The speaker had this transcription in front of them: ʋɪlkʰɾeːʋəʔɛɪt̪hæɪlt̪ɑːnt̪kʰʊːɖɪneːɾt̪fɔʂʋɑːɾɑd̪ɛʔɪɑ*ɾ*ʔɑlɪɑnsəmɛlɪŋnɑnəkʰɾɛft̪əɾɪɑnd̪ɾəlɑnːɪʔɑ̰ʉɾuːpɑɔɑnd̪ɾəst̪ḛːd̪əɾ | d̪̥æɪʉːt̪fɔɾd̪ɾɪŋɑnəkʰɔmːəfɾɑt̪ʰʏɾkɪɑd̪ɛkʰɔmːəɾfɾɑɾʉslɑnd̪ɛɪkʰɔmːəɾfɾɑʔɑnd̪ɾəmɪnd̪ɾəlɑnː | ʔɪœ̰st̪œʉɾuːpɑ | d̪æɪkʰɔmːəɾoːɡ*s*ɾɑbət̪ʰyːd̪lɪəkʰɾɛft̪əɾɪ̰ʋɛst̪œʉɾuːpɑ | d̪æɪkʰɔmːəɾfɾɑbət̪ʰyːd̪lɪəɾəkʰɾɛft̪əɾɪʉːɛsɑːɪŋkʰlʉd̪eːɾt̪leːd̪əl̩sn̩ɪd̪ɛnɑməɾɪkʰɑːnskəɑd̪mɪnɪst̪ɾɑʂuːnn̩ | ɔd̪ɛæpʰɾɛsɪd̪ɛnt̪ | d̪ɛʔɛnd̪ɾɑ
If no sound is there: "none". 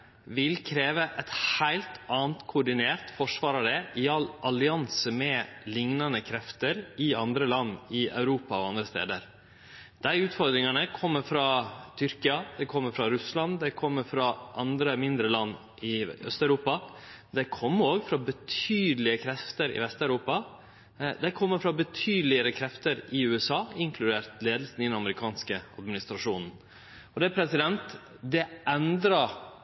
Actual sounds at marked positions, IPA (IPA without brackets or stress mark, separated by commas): l, f